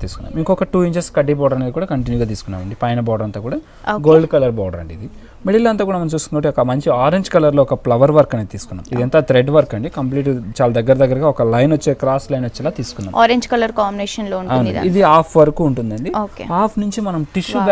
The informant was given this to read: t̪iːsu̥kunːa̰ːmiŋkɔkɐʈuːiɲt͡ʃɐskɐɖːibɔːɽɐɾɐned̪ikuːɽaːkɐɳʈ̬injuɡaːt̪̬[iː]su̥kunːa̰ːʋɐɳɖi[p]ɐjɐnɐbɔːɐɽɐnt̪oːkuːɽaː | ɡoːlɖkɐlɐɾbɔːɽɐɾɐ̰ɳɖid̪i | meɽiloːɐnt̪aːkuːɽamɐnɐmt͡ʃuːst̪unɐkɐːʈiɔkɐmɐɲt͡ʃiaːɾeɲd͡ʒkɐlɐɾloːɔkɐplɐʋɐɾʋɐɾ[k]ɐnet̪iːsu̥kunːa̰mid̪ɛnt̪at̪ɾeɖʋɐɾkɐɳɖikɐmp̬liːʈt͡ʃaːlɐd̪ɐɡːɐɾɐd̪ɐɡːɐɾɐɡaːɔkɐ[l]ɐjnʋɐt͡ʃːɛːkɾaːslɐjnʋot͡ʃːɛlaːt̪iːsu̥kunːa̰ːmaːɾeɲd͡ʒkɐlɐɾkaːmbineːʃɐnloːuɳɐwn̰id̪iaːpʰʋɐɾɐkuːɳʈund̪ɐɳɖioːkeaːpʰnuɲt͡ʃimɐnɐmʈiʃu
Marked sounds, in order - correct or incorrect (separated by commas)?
correct, correct, correct, correct